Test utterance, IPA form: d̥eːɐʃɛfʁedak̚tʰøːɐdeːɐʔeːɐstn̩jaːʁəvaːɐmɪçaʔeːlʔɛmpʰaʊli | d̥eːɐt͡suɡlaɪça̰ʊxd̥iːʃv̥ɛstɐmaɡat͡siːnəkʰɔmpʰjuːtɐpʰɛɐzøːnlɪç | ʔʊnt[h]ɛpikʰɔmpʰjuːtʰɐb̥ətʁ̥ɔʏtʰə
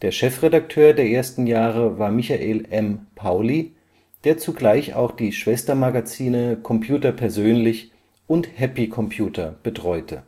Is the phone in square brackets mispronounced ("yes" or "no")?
no